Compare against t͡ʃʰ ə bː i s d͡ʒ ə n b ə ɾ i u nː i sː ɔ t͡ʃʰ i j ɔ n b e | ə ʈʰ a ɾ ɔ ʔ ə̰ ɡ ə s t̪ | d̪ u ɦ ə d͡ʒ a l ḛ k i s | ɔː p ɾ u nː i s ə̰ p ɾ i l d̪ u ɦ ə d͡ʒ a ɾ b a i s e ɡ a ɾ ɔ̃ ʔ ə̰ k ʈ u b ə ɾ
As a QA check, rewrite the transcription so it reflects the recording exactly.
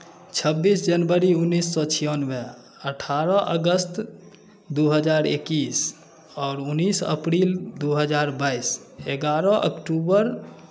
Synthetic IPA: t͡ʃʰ ə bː i s d͡ʒ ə n b ə ɾ i u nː i sː ɔ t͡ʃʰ i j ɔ n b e | ə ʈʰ a ɾ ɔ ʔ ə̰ ɡ ə s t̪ | d̪ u ɦ ə d͡ʒ a ɾ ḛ k i s | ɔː ɾ u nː i s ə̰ p ɾ i l d̪ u ɦ ə d͡ʒ a ɾ b a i s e ɡ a ɾ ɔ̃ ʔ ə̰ k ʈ u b ə ɾ